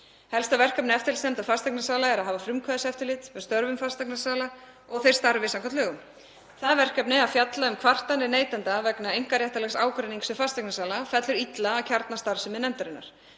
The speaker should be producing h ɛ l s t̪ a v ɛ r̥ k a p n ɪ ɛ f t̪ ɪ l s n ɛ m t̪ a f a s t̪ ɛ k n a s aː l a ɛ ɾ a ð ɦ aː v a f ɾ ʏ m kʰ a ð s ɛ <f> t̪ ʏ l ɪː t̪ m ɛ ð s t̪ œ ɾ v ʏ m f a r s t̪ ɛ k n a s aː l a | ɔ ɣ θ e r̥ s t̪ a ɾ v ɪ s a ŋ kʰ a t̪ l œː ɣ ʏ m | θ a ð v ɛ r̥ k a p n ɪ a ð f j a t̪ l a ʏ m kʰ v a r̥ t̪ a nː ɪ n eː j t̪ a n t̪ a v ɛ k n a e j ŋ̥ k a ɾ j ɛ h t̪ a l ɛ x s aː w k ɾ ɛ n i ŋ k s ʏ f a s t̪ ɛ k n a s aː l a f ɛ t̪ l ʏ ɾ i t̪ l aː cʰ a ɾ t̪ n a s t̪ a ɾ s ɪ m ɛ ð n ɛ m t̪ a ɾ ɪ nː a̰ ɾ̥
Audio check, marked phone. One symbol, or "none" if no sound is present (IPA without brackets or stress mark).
f